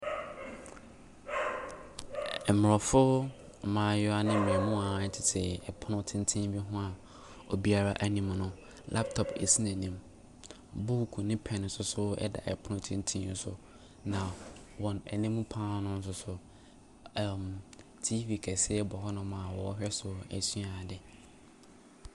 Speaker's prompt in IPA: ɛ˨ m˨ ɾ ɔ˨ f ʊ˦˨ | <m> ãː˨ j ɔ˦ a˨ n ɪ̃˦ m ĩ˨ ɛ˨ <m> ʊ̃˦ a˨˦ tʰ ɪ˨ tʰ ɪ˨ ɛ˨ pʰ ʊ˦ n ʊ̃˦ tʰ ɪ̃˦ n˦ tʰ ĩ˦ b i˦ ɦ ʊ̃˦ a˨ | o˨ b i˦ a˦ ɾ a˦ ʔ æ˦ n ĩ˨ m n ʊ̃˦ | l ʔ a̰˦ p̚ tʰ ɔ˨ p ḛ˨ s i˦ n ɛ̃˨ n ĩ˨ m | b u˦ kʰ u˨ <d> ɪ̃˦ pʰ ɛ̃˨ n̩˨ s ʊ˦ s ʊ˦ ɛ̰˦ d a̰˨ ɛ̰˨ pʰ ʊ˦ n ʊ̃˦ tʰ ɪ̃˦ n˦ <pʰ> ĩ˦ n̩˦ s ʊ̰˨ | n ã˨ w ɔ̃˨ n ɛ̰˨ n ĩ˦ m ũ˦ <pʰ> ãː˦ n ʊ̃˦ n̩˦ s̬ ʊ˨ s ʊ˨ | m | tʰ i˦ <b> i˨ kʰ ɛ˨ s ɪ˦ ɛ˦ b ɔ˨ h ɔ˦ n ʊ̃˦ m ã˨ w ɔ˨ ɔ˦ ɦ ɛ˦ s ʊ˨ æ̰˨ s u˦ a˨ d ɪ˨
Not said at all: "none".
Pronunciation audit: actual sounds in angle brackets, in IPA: m, m, n, tʰ, pʰ, v

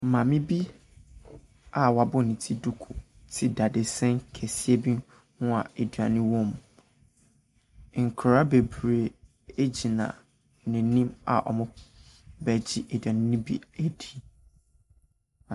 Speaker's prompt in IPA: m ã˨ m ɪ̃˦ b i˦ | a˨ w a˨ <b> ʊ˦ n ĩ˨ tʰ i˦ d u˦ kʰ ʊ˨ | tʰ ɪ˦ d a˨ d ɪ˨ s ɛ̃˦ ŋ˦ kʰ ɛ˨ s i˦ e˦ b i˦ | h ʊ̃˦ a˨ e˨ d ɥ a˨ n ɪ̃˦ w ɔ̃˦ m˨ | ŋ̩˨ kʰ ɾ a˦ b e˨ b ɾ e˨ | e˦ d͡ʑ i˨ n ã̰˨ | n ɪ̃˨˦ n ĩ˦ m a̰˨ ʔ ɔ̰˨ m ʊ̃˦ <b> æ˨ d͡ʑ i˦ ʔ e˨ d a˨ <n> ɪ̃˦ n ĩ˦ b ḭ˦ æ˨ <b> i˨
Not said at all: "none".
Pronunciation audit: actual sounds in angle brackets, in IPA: b, b, n, d

